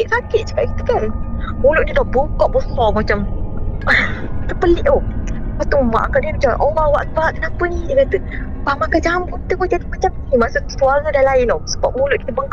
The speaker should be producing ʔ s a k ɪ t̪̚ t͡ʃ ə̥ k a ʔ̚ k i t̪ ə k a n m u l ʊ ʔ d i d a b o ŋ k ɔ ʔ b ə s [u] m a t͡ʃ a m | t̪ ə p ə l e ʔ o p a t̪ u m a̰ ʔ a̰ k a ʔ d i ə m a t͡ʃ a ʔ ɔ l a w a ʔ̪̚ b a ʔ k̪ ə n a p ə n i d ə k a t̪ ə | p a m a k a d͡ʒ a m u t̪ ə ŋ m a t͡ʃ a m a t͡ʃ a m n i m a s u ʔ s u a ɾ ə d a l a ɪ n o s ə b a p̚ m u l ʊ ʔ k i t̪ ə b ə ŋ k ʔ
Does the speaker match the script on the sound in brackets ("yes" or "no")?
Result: no